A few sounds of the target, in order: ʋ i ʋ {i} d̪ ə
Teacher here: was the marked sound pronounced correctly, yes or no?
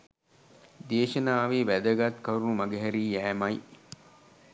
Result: no